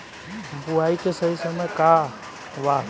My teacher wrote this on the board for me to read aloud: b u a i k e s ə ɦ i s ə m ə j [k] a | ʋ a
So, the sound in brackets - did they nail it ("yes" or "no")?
yes